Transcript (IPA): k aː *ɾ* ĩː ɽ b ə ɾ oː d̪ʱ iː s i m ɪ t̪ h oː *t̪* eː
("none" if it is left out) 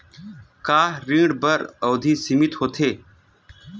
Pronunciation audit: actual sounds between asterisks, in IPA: ɾ, t̪ʰ

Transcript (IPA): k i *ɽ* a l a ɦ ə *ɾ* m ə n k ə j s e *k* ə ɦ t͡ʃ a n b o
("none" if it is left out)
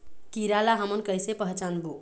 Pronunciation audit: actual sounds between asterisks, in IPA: ɾ, none, p

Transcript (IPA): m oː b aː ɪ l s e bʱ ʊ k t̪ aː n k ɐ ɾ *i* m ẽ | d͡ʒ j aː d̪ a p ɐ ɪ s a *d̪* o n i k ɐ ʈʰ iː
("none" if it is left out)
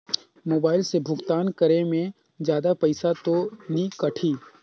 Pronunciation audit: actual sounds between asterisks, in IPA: e, t̪

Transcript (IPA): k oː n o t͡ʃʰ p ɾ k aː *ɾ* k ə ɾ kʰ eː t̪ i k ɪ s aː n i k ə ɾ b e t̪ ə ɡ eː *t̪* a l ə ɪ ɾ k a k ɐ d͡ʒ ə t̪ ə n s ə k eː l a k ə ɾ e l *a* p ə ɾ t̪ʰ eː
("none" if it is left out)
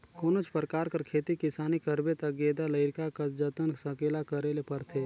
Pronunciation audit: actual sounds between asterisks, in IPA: ɾ, d̪, e

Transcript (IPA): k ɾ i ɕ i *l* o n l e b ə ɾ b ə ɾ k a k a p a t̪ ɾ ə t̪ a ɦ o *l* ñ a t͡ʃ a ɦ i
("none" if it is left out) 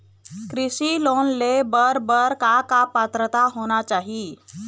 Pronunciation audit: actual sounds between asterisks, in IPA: l, none

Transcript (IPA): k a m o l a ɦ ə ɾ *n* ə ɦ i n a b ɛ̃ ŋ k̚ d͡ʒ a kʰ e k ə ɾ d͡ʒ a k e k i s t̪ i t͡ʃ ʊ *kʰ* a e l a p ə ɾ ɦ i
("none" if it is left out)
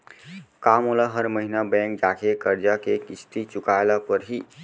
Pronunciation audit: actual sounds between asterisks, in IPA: m, k

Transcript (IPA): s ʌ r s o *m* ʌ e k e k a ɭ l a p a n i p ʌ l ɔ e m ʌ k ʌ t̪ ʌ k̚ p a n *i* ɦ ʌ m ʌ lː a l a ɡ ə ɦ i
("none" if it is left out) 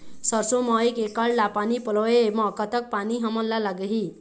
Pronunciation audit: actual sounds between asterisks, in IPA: m, i

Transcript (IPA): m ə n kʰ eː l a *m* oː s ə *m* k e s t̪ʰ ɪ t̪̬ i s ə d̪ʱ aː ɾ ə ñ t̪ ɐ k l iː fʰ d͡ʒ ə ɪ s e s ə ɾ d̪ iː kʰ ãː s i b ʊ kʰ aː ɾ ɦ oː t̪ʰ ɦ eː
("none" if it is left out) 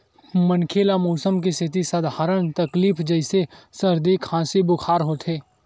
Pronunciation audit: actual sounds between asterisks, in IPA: m, m

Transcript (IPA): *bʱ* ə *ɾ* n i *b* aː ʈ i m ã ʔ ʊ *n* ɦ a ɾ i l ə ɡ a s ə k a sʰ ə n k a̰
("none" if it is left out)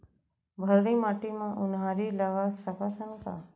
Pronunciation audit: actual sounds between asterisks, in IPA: bʱ, ɾ, m, n

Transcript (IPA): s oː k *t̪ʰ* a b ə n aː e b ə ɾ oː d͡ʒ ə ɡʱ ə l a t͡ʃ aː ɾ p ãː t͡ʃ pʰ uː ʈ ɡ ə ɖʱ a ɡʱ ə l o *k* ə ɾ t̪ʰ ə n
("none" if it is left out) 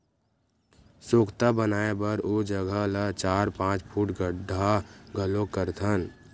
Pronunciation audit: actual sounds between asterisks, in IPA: t̪, k

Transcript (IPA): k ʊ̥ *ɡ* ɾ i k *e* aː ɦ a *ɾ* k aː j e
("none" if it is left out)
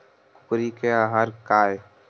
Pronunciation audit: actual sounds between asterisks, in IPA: k, e, ɾ

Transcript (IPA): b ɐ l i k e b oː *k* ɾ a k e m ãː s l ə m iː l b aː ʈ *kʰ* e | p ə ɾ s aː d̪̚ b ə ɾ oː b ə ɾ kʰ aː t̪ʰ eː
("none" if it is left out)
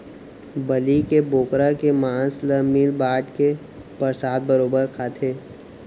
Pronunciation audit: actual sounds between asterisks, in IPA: k, k

